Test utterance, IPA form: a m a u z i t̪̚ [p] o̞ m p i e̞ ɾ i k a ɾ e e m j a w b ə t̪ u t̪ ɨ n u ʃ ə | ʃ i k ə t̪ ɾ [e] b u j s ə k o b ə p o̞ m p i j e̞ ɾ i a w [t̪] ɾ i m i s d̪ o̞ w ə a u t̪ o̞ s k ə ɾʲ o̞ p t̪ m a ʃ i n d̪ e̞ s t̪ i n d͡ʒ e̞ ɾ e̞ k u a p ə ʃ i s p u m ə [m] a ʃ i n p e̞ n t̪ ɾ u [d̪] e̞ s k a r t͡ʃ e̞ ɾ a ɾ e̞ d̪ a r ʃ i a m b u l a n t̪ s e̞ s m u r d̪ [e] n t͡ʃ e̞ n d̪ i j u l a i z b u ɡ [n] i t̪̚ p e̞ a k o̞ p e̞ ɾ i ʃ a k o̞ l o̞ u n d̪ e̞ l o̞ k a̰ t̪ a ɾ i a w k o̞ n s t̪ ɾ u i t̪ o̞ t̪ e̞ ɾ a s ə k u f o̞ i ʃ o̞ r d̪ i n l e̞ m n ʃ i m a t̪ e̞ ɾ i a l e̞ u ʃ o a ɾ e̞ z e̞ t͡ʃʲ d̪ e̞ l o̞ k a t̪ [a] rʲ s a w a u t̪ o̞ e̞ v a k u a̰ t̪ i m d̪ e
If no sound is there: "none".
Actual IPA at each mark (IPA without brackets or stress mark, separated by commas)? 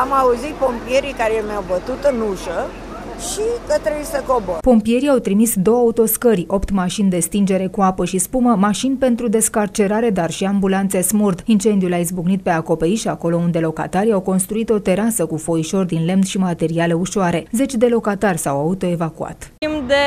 p, e, t̪, m, d̪, i, n, a